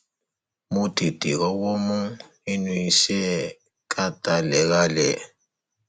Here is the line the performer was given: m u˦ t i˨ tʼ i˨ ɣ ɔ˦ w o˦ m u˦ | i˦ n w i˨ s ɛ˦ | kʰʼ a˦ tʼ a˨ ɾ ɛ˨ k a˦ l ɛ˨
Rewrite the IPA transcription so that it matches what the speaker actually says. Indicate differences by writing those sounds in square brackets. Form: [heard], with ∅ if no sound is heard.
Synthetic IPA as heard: m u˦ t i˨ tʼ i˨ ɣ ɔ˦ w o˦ m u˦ | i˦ n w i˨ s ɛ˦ | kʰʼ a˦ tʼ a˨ [l] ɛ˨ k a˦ l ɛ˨